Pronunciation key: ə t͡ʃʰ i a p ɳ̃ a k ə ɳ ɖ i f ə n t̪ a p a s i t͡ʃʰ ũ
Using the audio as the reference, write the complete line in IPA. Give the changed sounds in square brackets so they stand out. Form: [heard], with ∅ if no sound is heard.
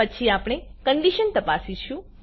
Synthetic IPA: ə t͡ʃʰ i a p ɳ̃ [e] k ə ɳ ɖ i [ʃ] ə n t̪ [ə] p a s i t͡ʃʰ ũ